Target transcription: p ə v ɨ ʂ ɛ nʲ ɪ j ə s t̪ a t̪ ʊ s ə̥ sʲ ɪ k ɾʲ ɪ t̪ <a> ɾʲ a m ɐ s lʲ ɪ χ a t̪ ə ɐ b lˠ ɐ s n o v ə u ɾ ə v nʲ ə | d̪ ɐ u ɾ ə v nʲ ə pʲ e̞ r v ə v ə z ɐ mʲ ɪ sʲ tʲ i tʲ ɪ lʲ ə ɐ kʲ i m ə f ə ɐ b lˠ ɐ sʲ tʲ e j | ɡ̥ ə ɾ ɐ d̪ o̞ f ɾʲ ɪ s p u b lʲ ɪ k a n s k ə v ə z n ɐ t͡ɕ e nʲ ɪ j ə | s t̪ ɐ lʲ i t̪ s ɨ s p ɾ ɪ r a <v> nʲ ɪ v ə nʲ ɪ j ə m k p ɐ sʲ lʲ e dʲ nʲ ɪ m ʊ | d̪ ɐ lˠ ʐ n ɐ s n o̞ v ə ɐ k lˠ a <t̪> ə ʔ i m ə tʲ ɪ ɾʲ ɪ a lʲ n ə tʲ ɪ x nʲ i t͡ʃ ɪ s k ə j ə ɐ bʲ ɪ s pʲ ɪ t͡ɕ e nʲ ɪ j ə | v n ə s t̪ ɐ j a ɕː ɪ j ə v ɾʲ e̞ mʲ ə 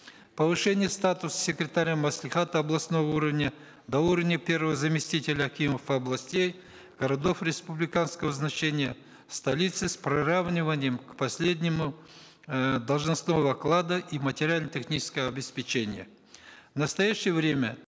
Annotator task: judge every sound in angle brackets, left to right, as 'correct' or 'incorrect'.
correct, correct, incorrect: d̪

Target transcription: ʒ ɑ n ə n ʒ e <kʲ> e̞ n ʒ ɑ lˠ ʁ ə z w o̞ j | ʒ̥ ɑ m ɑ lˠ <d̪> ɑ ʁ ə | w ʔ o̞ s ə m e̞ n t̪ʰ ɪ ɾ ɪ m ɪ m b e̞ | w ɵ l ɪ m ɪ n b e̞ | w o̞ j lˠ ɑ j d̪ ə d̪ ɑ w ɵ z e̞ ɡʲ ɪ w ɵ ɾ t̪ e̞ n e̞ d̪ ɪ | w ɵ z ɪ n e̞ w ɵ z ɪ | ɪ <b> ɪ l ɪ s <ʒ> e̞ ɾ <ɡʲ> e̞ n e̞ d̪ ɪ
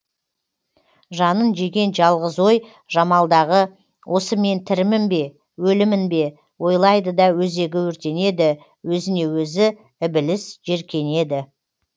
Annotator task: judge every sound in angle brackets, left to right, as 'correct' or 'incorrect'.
incorrect: ɡʲ, correct, correct, correct, incorrect: kʲ

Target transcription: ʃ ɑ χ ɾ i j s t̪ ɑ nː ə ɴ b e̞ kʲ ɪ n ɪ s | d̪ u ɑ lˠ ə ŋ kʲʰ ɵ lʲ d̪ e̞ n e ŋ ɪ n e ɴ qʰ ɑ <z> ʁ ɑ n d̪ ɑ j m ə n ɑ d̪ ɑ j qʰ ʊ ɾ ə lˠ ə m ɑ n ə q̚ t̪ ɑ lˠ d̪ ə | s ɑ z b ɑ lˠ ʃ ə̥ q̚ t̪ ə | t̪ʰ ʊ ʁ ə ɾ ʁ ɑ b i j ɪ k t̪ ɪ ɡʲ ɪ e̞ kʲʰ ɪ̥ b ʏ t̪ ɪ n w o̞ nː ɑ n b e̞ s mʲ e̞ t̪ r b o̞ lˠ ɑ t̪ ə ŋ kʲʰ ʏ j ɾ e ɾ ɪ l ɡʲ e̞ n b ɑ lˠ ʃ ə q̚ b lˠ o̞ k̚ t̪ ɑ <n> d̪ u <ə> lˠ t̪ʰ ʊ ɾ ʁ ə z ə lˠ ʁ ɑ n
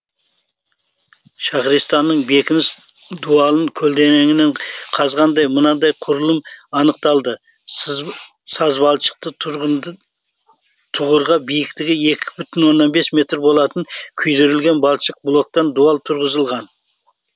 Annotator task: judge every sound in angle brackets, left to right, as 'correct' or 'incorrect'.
correct, correct, incorrect: ɑ

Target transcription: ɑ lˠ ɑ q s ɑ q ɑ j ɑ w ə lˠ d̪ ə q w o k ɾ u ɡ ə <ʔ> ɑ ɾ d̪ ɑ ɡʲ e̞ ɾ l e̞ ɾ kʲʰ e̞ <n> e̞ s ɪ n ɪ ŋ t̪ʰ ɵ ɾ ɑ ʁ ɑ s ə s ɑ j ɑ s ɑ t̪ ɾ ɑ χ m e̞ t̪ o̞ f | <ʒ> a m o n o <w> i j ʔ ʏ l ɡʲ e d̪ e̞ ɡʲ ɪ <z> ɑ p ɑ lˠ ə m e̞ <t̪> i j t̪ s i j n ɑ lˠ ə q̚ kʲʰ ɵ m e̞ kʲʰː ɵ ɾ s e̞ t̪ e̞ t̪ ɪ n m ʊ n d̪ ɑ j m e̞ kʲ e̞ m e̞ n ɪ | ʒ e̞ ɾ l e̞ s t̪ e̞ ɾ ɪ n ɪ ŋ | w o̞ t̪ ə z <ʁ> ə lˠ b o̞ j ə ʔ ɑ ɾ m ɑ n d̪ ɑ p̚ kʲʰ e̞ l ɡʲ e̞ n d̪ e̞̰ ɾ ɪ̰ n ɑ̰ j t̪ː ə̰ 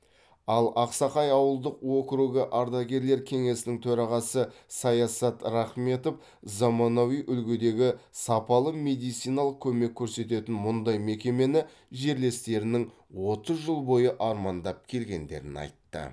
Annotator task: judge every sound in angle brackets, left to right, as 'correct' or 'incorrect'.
correct, incorrect: ŋ, incorrect: z, correct, incorrect: s, incorrect: d̪, incorrect: ʒ

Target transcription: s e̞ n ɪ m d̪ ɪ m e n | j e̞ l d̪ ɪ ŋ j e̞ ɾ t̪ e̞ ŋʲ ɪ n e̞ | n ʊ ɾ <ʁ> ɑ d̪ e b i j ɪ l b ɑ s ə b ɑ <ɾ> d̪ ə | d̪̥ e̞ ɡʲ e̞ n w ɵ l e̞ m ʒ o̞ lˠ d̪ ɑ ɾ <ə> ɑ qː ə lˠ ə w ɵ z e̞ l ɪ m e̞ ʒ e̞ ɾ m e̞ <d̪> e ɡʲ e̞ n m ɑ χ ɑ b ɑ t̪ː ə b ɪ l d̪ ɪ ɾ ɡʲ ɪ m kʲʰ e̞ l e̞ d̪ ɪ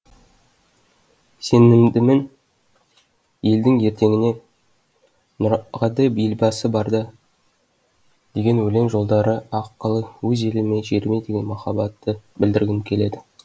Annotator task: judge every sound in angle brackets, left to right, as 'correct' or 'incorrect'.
correct, correct, correct, correct

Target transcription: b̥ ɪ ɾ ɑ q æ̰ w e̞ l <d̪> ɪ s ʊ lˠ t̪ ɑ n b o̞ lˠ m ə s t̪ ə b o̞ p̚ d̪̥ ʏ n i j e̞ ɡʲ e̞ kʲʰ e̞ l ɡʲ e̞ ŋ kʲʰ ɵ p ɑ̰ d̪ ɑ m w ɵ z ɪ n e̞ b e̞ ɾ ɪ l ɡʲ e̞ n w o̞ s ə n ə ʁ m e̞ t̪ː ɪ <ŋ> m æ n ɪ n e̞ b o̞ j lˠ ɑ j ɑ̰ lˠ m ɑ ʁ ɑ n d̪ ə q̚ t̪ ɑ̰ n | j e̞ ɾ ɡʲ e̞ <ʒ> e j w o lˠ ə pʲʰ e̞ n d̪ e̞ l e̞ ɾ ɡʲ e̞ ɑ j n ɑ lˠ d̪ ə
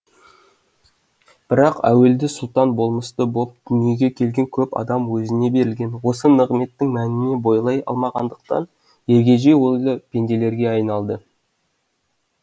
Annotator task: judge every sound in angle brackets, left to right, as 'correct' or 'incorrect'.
correct, correct, correct

